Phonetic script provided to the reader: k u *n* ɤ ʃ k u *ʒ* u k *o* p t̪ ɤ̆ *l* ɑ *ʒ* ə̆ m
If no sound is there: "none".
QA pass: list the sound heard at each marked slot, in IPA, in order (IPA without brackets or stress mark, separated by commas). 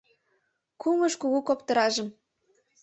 m, ɣ, o, ɾ, ʒ